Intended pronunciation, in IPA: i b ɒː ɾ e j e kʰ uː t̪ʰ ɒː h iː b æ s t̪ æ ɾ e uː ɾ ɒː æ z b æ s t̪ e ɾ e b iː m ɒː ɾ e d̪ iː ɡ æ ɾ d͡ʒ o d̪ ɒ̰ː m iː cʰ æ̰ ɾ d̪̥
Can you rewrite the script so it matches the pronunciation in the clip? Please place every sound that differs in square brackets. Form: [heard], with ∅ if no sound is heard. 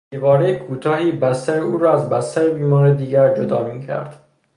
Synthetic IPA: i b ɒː ɾ e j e kʰ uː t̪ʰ ɒː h iː b æ s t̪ æ ɾ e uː ɾ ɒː æ z b æ s t̪ [æ] ɾ e b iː m ɒː ɾ e d̪ iː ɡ æ ɾ d͡ʒ o d̪ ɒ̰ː m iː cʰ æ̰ ɾ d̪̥